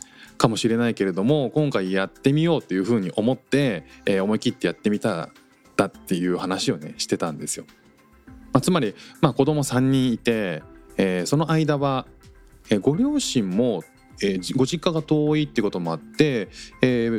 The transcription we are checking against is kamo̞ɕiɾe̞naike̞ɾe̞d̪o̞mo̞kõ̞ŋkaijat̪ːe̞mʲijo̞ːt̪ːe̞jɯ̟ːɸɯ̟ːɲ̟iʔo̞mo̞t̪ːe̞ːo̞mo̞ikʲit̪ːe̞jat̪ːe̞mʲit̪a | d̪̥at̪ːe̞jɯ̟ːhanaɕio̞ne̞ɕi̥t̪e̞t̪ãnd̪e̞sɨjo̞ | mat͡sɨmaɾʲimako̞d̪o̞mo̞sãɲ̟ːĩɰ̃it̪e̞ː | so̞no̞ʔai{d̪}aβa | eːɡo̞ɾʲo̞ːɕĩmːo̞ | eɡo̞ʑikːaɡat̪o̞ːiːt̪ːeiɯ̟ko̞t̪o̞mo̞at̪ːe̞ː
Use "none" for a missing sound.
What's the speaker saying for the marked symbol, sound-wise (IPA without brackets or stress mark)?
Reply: d̪